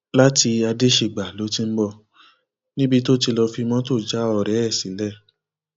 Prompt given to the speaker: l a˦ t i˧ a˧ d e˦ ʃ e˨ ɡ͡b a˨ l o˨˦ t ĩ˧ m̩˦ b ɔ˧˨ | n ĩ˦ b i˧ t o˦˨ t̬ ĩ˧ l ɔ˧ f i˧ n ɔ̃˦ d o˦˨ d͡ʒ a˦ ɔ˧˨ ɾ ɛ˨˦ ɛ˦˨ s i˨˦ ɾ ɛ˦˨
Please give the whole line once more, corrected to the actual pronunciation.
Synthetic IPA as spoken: l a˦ t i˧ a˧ d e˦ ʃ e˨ ɡ͡b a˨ l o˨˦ t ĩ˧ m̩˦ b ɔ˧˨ | n ĩ˦ b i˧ t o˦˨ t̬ i˧ l ɔ˧ f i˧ m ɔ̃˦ t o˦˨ d͡ʒ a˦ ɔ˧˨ ɾ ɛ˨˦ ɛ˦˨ s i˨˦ l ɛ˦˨